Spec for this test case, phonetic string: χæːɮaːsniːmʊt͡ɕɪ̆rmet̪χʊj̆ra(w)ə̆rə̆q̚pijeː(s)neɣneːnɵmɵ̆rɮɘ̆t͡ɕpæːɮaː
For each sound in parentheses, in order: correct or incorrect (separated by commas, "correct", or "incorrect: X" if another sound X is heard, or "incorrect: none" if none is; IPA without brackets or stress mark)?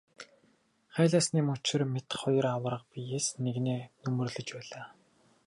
correct, correct